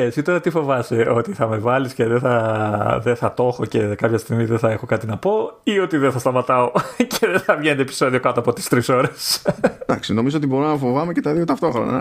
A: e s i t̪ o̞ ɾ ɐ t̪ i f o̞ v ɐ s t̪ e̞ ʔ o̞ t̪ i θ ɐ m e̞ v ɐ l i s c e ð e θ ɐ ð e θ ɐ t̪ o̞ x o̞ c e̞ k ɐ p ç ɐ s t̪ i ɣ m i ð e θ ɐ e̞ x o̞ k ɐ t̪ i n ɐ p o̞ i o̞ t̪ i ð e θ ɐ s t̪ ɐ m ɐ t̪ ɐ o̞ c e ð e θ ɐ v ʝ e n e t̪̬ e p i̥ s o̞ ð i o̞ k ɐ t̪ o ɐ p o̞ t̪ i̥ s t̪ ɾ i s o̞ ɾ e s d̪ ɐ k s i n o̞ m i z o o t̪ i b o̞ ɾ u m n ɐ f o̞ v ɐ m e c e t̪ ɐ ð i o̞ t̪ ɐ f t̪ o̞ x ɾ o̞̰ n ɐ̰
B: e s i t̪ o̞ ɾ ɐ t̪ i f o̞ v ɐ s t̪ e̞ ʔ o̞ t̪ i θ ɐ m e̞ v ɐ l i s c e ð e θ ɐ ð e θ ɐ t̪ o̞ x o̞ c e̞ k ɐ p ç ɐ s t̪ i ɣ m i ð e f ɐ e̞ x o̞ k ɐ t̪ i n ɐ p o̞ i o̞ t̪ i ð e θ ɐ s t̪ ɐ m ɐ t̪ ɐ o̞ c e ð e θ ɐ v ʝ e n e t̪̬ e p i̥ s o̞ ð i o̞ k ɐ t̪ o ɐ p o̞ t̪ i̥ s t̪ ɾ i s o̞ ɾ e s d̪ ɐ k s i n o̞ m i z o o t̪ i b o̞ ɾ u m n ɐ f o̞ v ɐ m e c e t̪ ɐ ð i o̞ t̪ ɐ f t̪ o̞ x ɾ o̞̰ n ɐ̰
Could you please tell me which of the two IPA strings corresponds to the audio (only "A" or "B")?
A